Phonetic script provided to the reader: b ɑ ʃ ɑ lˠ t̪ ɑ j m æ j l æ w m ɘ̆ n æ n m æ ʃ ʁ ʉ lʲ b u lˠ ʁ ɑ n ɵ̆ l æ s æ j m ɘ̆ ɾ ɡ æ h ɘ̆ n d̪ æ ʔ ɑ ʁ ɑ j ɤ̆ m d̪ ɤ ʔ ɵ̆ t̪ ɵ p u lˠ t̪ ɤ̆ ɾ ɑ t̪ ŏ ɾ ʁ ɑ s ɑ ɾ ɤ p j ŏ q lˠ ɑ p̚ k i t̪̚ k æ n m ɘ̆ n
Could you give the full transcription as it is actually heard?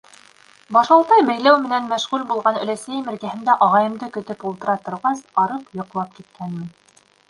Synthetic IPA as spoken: b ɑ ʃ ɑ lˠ t̪ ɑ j b æ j l æ w m ɘ̆ n æ n m æ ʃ ʁ ʉ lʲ b u lˠ ʁ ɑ n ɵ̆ l æ s æ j m ɘ̆ ɾ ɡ æ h ɘ̆ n d̪ æ ʔ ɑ ʁ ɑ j ɤ̆ m d̪ ɤ k ɵ̆ t̪ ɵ p u lˠ t̪ ɤ̆ ɾ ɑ t̪ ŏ ɾ ʁ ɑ s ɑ ɾ ɤ p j ŏ q lˠ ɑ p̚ k i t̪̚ k æ n m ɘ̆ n